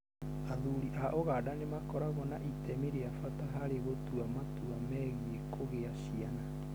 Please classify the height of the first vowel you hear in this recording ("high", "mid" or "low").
low